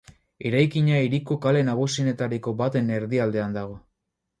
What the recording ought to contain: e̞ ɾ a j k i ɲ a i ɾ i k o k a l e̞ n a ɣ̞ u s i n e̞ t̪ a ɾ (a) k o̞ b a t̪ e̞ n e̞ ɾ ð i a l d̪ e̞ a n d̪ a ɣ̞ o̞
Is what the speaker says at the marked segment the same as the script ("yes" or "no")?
no